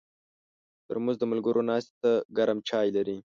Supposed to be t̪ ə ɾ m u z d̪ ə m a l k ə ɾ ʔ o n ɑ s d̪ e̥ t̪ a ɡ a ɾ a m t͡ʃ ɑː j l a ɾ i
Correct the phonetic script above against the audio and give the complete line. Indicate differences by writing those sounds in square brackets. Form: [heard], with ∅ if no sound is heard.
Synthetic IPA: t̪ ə ɾ m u z d̪ ə m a l [ɡ] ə ɾ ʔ o n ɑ s [t̪] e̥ t̪ a ɡ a ɾ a m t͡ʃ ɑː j l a ɾ i